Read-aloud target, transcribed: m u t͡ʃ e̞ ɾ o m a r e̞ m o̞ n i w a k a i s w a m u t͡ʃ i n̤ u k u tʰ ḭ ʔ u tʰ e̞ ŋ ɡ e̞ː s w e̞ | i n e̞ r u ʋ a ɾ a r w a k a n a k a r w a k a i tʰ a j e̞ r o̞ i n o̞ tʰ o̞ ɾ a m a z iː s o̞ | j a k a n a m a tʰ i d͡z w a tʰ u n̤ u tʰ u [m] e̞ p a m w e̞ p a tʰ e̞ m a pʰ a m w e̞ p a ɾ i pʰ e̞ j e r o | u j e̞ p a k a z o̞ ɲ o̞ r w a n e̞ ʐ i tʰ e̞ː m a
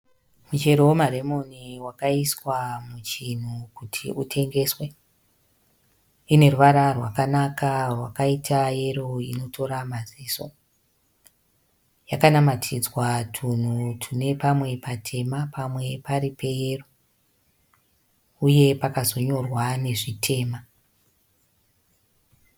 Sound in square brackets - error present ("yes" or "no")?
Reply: yes